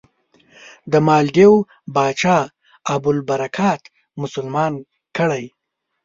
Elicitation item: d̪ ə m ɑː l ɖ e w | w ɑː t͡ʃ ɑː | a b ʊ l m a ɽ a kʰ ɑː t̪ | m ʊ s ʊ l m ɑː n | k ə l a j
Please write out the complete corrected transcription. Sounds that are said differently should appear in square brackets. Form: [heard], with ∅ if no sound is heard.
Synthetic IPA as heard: d̪ ə m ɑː l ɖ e w | [b] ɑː t͡ʃ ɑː | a b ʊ l [b] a [ɾ] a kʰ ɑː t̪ | m ʊ s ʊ l m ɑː n | k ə [ɽ] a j